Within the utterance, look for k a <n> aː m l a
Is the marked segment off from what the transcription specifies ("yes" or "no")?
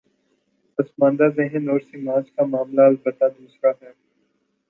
yes